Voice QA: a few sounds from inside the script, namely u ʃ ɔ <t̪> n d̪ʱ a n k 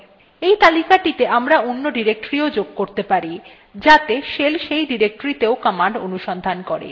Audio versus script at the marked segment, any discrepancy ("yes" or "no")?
yes